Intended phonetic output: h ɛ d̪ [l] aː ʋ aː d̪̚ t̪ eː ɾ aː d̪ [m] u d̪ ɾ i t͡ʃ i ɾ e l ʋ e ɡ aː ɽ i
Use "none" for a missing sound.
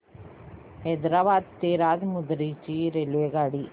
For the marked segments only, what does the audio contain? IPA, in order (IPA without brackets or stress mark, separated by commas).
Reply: ɾ, m